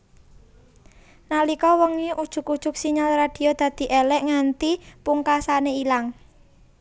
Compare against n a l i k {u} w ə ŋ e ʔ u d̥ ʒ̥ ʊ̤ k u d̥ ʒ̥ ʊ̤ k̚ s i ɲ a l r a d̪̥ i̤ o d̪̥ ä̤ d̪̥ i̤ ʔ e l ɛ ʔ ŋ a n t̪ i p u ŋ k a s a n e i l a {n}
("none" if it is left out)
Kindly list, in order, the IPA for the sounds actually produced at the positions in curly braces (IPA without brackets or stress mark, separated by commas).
ɔ, ŋ